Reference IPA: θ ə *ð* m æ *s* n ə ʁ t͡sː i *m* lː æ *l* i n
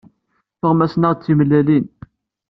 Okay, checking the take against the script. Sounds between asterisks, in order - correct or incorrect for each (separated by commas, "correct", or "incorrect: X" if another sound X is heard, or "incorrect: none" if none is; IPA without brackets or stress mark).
incorrect: ʁ, correct, correct, correct